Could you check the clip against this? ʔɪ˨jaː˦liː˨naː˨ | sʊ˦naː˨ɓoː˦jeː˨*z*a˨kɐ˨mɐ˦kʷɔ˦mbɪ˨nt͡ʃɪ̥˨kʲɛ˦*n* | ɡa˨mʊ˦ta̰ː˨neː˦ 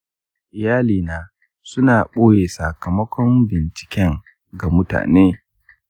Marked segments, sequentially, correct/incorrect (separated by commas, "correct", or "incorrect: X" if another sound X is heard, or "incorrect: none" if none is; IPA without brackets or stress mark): incorrect: s, incorrect: ŋ